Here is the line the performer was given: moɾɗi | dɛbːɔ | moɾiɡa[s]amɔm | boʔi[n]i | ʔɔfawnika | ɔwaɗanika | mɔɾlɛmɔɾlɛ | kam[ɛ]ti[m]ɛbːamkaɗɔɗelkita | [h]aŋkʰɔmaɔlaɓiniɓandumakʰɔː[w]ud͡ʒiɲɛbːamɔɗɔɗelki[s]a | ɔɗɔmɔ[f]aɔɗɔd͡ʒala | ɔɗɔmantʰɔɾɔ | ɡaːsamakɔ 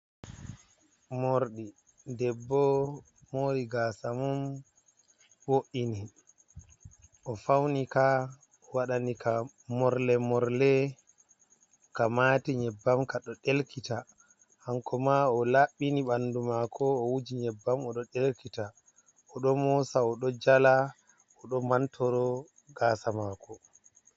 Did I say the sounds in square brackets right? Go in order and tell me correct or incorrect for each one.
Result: correct, correct, incorrect, incorrect, correct, correct, incorrect, incorrect

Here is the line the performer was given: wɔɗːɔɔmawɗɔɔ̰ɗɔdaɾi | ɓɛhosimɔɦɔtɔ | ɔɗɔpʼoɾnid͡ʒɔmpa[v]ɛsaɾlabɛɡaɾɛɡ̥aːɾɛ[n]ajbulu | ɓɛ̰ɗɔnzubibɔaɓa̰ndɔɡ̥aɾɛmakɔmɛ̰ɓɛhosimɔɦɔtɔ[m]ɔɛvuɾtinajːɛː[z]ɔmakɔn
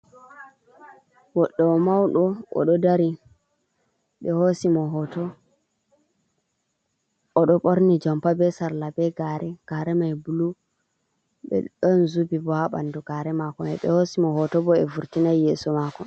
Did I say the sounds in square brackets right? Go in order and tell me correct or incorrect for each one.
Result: incorrect, incorrect, incorrect, incorrect

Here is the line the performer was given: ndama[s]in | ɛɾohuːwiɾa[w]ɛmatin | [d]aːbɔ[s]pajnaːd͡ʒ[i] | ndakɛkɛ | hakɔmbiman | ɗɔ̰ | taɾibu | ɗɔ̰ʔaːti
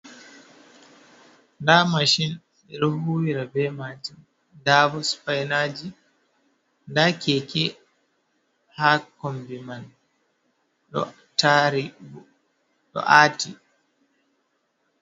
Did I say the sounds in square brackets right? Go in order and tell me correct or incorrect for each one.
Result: incorrect, incorrect, correct, correct, correct

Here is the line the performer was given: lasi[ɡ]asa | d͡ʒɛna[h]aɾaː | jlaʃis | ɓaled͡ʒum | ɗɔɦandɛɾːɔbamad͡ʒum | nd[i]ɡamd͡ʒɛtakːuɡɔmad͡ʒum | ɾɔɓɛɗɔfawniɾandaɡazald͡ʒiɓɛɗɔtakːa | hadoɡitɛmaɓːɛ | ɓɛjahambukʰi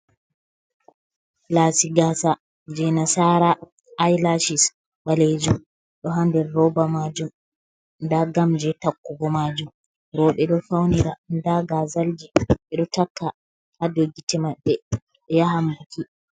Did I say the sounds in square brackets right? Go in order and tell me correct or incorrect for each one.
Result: correct, incorrect, incorrect

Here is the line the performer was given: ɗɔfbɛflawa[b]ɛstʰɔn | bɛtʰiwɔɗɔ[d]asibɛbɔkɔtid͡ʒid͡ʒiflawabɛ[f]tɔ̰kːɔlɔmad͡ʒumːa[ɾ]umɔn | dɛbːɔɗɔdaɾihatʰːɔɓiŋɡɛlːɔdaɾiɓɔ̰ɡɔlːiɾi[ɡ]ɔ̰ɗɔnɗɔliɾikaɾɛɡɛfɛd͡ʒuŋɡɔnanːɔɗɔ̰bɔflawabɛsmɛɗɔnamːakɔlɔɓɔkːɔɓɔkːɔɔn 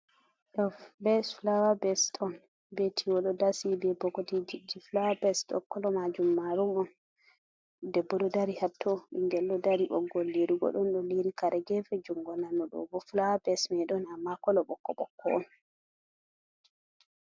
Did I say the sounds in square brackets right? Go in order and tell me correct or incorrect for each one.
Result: correct, correct, incorrect, correct, correct

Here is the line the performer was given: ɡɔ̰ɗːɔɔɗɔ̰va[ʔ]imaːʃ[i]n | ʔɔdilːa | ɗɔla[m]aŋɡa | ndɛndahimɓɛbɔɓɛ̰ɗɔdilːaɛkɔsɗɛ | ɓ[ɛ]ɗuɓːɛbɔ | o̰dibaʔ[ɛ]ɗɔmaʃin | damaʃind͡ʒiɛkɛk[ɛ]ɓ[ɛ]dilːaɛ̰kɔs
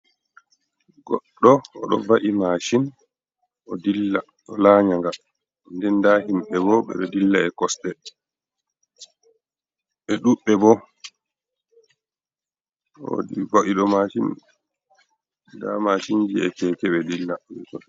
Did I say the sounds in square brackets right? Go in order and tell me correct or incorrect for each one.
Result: correct, correct, incorrect, correct, incorrect, correct, correct

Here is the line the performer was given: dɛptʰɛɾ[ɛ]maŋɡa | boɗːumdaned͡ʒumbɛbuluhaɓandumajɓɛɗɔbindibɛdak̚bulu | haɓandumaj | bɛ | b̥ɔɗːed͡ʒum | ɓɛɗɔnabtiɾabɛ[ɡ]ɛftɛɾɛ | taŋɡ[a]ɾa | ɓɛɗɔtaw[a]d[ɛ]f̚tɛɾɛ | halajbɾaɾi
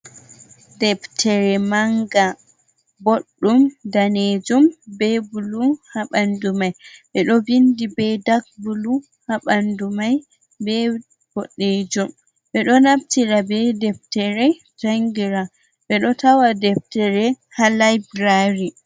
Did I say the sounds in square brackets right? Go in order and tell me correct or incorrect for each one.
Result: correct, incorrect, incorrect, correct, correct

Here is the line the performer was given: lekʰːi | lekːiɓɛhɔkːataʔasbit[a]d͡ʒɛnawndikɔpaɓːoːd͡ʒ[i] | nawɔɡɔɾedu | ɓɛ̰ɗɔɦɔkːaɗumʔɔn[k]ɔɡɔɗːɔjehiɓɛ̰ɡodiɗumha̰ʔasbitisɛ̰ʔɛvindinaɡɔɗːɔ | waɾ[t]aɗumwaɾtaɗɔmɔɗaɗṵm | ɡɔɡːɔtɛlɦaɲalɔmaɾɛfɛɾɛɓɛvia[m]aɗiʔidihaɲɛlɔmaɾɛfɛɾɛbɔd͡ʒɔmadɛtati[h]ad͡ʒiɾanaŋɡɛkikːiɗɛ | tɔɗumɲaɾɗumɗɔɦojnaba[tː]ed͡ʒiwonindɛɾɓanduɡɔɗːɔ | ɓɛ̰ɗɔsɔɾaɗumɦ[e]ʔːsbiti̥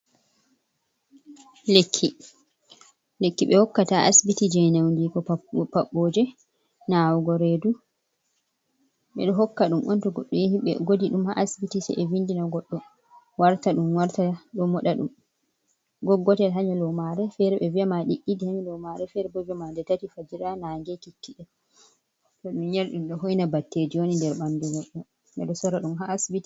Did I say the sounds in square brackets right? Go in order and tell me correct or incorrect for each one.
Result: incorrect, incorrect, incorrect, correct, correct, incorrect, correct, incorrect

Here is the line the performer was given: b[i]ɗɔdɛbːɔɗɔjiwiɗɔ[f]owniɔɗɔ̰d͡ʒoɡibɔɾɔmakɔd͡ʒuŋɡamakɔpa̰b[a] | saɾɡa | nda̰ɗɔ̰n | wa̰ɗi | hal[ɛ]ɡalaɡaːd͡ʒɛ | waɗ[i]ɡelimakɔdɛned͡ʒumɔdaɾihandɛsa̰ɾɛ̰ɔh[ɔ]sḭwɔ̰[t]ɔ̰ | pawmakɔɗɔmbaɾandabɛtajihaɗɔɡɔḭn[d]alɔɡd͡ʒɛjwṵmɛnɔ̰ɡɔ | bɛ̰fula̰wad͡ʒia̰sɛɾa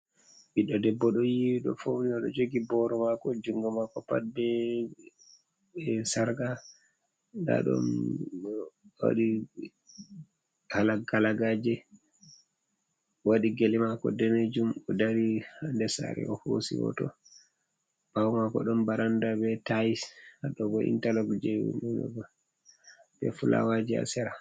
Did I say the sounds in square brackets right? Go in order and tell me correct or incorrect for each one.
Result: correct, correct, incorrect, incorrect, correct, incorrect, correct, incorrect

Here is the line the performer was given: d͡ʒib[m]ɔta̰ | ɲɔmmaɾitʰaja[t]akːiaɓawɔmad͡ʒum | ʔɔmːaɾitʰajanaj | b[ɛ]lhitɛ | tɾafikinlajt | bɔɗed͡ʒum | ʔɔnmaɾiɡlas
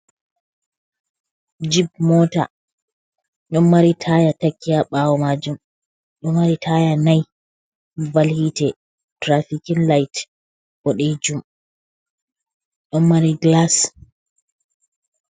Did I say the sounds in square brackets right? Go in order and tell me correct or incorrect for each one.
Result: correct, correct, incorrect

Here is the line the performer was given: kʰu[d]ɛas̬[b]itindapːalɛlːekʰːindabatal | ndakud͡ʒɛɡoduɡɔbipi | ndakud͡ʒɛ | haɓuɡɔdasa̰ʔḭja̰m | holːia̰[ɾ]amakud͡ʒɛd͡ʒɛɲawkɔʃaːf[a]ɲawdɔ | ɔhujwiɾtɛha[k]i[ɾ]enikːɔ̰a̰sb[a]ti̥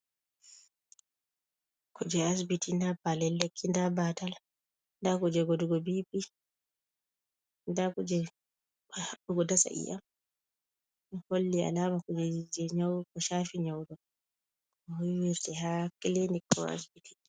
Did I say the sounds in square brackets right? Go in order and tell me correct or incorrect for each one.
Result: incorrect, correct, incorrect, incorrect, correct, incorrect, incorrect

